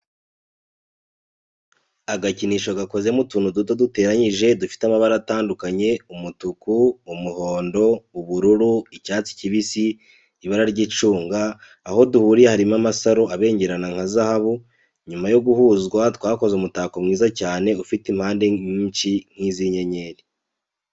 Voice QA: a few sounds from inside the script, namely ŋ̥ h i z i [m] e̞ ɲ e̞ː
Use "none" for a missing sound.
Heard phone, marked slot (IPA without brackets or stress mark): ɲ